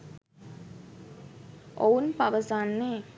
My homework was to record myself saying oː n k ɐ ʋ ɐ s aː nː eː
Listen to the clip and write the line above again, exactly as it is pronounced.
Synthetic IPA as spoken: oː n p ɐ ʋ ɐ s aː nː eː

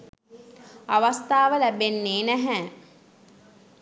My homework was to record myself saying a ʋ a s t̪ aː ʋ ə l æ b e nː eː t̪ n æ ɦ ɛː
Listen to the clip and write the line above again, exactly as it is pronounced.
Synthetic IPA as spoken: a ʋ a s t̪ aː ʋ ə l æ b e nː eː n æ ɦ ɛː

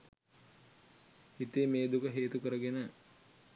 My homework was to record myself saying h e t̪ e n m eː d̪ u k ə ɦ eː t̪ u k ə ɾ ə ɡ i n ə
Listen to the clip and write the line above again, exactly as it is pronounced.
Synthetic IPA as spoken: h i t̪ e m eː d̪ u k ə ɦ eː t̪ u k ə ɾ ə ɡ e n ə

